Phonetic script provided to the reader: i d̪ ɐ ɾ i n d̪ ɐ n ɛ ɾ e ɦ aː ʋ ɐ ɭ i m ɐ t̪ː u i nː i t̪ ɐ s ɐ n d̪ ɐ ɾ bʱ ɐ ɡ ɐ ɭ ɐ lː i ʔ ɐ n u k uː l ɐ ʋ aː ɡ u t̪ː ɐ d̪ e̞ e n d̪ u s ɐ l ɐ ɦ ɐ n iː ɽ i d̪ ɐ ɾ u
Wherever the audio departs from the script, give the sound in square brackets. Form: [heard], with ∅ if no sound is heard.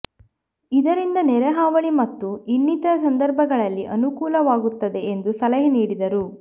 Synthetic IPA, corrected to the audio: i d̪ ɐ ɾ i n d̪ ɐ n ɛ ɾ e ɦ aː ʋ ɐ ɭ i m ɐ t̪ː u i nː i t̪ ɐ s ɐ n d̪ ɐ ɾ bʱ ɐ ɡ ɐ ɭ ɐ lː i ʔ ɐ n u k uː l ɐ ʋ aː ɡ u t̪ː ɐ d̪ e̞ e n d̪ u s ɐ l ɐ ɦ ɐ n iː ɽ i d̪ ɐ ɾ u